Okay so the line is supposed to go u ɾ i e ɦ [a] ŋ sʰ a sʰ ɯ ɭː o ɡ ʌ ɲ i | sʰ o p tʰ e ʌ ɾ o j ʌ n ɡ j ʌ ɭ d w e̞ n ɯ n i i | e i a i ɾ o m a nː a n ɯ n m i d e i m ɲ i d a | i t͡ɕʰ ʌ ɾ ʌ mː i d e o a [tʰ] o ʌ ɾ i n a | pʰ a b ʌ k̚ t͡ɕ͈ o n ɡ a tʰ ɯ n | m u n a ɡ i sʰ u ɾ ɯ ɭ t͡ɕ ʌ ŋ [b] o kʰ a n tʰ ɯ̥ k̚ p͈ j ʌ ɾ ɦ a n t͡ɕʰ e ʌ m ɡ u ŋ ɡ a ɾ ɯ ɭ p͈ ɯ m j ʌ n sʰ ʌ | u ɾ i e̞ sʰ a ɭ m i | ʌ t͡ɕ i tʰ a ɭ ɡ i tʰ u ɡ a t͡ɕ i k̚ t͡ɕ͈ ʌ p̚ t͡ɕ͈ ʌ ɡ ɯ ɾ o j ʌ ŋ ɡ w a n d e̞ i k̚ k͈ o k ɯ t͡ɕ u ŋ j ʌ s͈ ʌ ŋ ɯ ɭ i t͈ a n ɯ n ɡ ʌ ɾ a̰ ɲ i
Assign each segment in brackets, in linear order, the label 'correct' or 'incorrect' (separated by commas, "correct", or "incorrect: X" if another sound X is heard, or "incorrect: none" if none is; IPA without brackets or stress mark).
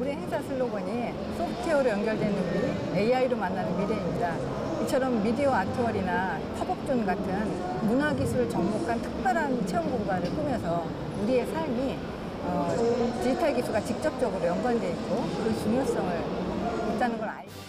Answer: incorrect: e, correct, incorrect: m